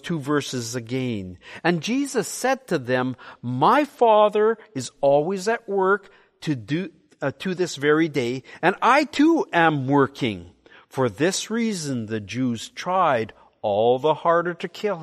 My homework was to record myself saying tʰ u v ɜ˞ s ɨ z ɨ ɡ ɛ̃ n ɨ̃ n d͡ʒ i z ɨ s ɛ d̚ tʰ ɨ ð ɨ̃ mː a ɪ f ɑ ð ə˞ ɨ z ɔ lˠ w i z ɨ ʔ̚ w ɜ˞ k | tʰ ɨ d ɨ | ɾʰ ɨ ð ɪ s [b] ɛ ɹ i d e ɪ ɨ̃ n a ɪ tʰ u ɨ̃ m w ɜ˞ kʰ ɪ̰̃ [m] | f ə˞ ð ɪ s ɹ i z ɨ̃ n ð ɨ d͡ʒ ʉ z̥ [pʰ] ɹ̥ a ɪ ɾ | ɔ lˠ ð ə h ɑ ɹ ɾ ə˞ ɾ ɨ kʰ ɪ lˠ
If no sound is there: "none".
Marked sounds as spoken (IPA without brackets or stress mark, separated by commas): v, ŋ, tʰ